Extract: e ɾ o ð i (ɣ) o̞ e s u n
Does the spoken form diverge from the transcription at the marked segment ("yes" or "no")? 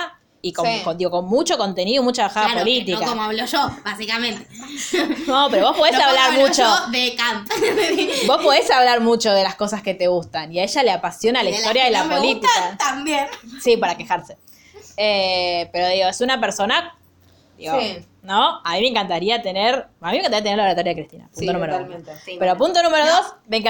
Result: no